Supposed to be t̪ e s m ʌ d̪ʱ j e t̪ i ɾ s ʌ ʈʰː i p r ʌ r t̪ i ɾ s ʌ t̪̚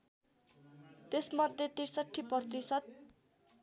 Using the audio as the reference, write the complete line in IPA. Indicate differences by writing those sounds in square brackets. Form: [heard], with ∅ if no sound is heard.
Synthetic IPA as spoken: t̪ e s m ʌ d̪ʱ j e t̪ i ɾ s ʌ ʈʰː i p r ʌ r t̪ i [∅] s ʌ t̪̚

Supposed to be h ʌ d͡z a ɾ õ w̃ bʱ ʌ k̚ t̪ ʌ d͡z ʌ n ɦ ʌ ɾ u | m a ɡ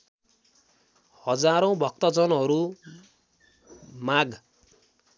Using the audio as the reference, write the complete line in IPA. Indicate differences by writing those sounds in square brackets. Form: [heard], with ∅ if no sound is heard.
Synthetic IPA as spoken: h ʌ d͡z a ɾ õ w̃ bʱ ʌ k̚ t̪ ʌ d͡z ʌ n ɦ ʌ ɾ u | m a ɡ

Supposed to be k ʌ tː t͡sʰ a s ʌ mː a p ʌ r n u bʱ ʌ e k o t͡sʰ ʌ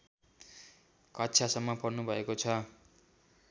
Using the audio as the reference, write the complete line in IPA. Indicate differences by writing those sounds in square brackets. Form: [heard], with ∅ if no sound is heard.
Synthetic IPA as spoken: k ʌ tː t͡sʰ a s ʌ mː [ʌ] p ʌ r n u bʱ ʌ e k o t͡sʰ ʌ

